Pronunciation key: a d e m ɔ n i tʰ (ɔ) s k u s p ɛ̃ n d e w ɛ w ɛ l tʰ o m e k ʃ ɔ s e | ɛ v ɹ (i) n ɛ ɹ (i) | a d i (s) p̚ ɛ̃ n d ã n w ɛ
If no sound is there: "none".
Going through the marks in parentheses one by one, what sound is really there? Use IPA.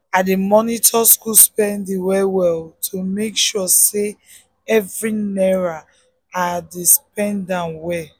ɔ, i, a, s

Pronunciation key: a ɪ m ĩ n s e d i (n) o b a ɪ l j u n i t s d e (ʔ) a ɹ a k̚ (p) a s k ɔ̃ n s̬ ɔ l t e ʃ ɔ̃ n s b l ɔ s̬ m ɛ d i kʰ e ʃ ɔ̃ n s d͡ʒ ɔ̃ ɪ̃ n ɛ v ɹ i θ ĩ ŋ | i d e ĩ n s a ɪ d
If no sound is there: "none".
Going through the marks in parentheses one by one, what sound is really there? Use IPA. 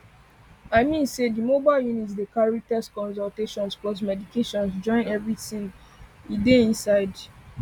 m, k, t

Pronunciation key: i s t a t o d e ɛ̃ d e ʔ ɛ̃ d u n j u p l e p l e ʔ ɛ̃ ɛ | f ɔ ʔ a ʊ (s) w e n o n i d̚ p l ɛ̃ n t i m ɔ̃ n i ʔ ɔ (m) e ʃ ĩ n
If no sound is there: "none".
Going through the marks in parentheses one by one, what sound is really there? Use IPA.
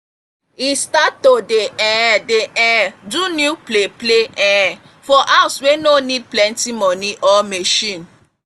s, m

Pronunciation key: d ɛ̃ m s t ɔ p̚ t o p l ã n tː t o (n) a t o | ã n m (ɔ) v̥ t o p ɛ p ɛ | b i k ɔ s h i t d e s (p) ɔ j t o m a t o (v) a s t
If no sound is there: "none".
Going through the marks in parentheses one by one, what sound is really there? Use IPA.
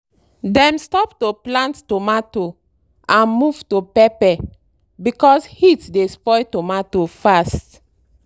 m, u, p, f

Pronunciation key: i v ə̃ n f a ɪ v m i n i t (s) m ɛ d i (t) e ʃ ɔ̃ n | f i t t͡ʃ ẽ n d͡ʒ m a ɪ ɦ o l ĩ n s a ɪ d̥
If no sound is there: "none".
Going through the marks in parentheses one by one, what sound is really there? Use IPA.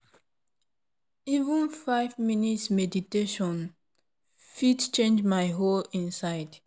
s, t

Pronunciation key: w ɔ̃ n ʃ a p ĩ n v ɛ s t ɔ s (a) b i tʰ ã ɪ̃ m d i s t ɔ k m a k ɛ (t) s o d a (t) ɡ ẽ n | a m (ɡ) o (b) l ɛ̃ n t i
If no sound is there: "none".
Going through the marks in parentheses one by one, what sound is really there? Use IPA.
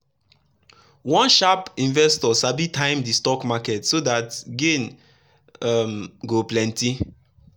a, t, t, ɡ, p

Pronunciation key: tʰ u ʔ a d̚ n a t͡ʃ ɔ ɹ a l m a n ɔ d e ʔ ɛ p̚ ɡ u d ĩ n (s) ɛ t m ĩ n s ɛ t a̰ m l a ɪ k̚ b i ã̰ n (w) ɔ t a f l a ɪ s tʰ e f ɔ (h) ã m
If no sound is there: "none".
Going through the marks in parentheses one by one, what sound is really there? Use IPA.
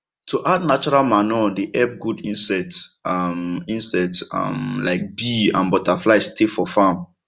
s, b, f

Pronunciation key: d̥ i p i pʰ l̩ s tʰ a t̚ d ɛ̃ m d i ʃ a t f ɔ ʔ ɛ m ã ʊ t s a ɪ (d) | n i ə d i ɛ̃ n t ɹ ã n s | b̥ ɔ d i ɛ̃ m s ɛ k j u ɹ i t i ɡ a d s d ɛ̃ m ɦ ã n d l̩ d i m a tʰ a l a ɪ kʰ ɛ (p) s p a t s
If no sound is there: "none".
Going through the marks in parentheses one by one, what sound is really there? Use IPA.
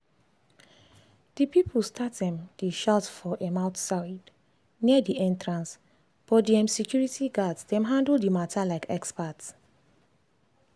d, k

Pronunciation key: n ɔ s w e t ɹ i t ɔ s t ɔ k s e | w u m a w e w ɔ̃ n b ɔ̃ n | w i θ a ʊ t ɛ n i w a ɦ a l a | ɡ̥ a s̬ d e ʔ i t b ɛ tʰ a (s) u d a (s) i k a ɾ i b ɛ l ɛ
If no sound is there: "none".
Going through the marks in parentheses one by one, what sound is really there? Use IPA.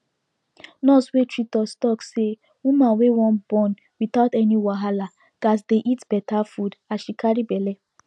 f, ʃ

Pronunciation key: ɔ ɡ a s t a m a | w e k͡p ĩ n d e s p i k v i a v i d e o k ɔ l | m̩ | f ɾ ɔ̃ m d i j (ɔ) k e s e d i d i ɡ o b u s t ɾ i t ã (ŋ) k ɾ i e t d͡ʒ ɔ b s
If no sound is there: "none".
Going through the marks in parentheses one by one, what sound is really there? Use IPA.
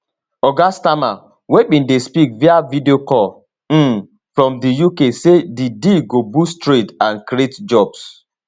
u, n

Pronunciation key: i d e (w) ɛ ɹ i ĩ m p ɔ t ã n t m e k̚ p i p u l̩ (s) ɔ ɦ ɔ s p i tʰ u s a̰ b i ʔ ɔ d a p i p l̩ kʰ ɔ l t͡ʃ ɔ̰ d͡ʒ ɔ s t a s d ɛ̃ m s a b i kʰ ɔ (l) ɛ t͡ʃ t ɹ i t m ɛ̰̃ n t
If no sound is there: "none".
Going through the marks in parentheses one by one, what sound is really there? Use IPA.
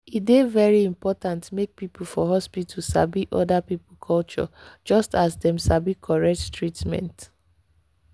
v, f, ɹ

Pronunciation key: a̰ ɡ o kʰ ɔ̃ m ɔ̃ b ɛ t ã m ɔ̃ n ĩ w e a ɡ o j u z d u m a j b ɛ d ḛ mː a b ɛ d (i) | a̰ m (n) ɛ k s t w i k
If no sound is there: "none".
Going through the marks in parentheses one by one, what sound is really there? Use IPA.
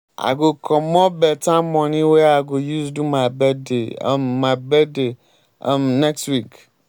e, n

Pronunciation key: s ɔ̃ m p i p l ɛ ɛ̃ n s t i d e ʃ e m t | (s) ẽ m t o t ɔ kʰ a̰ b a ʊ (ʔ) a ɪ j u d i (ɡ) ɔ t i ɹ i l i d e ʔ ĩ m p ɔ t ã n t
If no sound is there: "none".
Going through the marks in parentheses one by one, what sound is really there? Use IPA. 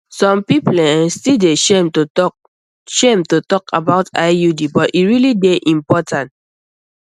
ʃ, t, b

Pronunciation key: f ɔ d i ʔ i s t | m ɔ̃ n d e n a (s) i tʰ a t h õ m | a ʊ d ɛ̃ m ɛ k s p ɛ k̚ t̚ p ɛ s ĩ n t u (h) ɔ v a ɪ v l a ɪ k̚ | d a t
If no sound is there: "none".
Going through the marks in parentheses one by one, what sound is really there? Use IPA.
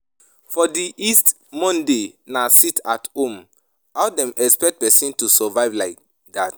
s, s

